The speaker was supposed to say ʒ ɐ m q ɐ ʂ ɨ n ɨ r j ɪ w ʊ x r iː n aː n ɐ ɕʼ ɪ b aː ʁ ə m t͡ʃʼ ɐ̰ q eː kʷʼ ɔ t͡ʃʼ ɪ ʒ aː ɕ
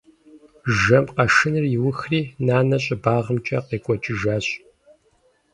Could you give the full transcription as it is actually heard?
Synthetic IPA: ʒ ɐ m q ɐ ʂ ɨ n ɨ r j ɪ w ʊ x r iː n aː n ɐ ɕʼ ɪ b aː ʁ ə m t͡ʃʼ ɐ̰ q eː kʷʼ ɔ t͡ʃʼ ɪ ʒ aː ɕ